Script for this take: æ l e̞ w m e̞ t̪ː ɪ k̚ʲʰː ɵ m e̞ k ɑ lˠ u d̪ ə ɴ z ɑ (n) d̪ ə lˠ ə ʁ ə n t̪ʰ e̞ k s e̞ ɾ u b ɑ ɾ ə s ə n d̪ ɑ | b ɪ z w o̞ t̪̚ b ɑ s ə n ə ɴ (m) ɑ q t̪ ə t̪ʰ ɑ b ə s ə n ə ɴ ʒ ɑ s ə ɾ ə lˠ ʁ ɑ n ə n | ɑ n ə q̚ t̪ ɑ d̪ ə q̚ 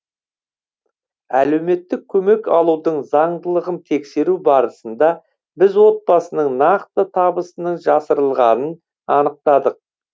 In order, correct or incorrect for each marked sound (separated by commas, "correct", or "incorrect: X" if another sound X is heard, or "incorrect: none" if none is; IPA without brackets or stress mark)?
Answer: incorrect: ɴ, incorrect: n